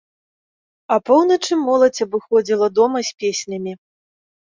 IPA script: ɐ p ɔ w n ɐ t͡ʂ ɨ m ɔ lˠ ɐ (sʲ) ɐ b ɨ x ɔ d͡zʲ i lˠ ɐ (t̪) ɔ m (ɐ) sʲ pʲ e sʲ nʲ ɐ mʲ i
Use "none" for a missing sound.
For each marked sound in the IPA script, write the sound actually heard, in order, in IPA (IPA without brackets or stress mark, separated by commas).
t͡sʲ, d̪, ɐ